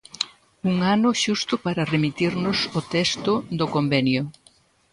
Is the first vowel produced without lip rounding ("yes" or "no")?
no